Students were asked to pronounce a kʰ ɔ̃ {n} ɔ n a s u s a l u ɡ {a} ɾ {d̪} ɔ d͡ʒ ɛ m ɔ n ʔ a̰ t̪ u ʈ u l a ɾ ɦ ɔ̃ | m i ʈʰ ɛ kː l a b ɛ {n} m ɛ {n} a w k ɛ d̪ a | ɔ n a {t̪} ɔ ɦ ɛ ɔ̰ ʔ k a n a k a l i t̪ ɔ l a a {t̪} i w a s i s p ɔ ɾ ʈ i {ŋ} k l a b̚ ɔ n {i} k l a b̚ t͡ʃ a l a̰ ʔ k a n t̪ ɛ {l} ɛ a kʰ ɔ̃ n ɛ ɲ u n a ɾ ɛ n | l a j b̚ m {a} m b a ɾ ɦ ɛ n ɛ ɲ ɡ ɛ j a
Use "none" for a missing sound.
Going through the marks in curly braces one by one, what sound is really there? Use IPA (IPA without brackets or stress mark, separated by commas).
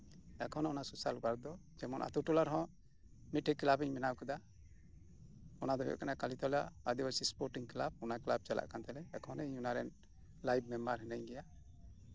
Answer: n, a, d̪, ɲ, n, d̪, d̪, ŋ, a, l, ɛ